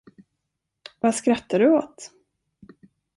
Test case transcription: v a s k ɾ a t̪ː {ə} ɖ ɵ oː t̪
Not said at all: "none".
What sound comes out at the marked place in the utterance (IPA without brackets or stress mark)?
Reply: a